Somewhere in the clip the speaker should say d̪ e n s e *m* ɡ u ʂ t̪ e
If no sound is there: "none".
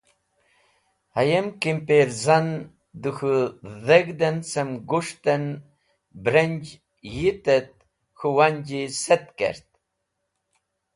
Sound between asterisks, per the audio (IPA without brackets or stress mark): m